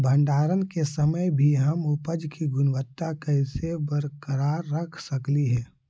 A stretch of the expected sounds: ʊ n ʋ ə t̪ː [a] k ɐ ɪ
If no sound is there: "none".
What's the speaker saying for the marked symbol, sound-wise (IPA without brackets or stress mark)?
a